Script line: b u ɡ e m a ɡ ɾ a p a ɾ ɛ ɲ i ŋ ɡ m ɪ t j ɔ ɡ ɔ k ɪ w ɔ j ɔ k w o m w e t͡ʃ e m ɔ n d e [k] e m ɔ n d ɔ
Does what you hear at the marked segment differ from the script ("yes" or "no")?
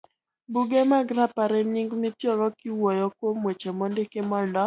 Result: no